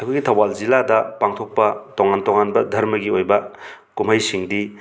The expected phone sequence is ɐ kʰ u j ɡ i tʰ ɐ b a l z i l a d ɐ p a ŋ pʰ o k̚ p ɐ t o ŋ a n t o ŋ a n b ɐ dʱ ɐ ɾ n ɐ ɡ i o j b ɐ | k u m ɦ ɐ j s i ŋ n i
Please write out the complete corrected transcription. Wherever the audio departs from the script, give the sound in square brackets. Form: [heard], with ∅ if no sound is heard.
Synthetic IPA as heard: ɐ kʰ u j ɡ i tʰ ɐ [w] a l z i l a d ɐ p a ŋ [tʰ] o k̚ p ɐ t o ŋ a n t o ŋ a n b ɐ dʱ ɐ ɾ [m] ɐ ɡ i o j b ɐ | k u m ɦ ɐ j s i ŋ [d] i